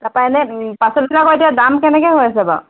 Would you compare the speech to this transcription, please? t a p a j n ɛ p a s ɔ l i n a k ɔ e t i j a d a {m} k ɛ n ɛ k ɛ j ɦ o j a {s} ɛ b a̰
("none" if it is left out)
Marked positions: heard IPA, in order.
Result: m, s

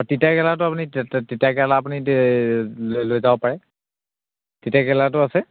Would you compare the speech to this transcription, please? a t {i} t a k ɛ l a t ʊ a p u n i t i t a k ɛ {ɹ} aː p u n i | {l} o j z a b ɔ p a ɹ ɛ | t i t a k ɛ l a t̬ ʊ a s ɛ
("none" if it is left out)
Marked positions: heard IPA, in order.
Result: i, l, l

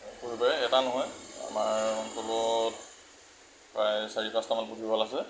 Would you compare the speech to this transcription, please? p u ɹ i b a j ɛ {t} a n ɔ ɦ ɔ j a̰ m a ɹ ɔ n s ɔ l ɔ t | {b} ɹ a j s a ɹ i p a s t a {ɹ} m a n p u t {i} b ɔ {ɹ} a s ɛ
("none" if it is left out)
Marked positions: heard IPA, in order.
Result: t, p, none, i, l

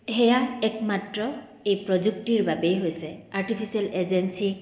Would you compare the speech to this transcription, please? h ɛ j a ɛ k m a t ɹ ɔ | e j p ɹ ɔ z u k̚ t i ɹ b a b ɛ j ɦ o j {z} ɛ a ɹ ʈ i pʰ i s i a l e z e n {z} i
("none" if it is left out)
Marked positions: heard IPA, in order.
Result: s, s

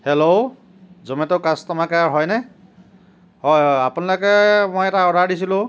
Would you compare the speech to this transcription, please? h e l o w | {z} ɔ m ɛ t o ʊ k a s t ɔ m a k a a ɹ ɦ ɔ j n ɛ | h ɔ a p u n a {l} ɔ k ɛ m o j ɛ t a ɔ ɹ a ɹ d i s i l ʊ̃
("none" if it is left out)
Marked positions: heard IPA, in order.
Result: z, l

